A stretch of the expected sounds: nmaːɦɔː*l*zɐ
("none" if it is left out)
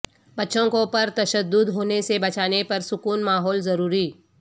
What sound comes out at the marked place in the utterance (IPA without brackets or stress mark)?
l